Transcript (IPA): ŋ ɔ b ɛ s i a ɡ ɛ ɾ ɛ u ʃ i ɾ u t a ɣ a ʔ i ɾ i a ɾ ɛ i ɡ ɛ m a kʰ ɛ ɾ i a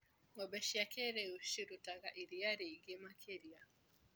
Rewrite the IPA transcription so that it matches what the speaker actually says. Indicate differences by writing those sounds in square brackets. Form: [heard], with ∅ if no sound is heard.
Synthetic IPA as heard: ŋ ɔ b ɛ [ʃ] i a [k] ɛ ɾ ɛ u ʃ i ɾ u t a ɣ a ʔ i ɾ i a ɾ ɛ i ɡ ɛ m a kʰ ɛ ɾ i a